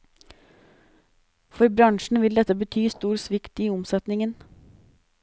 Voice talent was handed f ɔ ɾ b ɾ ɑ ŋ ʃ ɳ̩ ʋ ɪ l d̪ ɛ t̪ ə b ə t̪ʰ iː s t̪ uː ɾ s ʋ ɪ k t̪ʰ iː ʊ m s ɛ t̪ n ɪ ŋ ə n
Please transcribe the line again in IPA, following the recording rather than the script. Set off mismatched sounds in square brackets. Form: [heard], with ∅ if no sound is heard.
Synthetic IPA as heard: f ɔ ɾ b ɾ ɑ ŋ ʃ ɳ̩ ʋ ɪ l d̪ ɛ t̪ ə b ə t̪ʰ [yː] s t̪ uː ɾ s ʋ ɪ k [t̪] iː ʊ m s ɛ t̪ n ɪ ŋ ə n